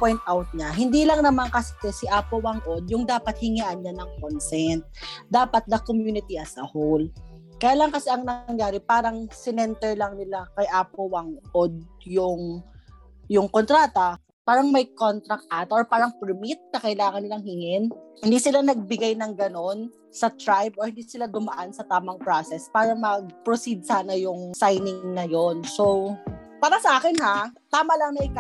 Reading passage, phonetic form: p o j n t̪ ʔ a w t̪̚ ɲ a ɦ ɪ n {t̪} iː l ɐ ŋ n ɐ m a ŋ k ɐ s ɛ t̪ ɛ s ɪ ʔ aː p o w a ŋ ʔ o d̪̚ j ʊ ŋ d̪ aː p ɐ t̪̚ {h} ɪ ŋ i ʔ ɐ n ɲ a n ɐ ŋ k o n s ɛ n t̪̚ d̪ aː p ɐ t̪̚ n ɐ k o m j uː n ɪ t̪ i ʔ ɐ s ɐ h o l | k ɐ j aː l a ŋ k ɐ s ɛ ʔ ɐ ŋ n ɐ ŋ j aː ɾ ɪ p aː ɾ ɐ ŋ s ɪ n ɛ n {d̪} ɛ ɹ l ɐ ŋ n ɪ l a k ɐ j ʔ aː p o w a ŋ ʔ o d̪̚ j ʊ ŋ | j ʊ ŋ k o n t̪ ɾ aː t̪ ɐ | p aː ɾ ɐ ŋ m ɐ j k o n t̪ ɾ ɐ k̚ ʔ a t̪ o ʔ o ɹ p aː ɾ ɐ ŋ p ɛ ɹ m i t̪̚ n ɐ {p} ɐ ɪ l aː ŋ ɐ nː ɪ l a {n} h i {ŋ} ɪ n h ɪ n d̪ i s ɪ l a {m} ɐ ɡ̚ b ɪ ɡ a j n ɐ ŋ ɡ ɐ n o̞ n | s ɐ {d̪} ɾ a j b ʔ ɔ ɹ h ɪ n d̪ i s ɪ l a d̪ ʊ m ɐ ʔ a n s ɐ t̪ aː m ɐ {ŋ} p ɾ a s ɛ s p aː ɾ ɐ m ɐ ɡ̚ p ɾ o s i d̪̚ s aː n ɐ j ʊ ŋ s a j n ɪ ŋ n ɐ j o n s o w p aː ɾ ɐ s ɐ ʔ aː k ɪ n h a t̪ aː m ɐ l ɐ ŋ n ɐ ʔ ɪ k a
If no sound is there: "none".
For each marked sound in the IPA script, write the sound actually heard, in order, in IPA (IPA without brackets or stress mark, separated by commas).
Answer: d̪, h, t̪, k, ŋ, ŋ, n, t̪, ŋ